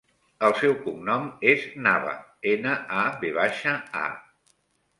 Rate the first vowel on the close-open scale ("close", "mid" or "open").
mid